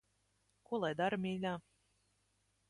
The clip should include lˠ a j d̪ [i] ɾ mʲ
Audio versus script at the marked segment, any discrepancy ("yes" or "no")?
yes